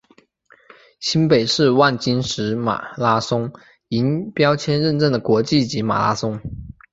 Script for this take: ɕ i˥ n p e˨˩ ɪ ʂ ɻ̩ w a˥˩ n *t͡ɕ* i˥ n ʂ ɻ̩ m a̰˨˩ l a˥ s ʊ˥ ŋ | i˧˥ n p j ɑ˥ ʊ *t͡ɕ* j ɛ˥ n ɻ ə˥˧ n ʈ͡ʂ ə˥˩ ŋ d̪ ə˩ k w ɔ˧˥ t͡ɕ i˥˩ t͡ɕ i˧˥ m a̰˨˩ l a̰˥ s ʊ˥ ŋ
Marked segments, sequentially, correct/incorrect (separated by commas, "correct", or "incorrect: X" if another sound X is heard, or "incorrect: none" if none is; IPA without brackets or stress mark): correct, incorrect: t͡ɕʰ